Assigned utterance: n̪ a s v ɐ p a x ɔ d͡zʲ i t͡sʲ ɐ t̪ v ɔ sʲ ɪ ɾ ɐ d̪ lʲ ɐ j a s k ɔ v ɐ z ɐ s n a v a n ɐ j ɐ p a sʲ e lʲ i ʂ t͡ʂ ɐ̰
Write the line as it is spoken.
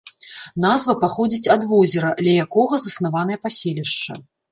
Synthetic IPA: n̪ a z v ɐ p a x ɔ d͡zʲ i t͡sʲ ɐ d̪ v ɔ zʲ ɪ ɾ ɐ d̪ lʲ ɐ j a k ɔ ɣ ɐ z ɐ s n a v a n ɐ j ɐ p a sʲ e lʲ i ʂ t͡ʂ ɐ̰